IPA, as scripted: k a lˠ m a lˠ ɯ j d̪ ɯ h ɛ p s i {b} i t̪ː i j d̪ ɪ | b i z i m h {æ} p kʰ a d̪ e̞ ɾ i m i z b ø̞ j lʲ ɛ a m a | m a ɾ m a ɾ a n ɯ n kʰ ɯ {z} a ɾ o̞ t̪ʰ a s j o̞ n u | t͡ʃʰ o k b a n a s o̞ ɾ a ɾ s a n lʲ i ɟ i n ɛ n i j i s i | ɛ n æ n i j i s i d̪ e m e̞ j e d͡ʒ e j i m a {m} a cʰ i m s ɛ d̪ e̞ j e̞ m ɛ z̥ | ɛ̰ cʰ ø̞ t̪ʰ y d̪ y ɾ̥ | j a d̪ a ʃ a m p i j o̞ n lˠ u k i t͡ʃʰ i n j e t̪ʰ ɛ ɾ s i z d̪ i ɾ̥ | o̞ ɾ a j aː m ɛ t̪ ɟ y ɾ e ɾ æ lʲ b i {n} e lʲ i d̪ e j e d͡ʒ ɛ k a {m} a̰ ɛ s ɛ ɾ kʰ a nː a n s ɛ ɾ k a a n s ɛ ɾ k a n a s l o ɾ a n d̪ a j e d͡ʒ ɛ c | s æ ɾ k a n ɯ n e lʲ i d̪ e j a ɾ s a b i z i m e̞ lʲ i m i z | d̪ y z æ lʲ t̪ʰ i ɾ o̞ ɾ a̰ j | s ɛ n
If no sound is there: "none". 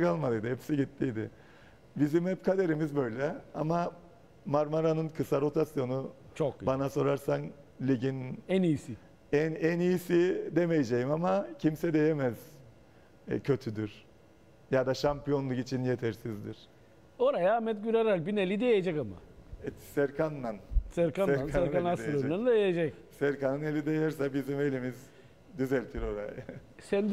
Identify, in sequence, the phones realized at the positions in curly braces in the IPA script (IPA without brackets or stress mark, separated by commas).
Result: ɟ, ɛ, s, m, n, m